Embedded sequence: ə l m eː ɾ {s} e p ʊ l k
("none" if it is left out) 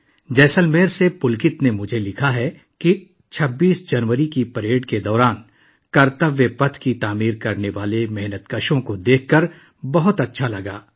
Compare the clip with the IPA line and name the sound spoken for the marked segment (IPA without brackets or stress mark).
s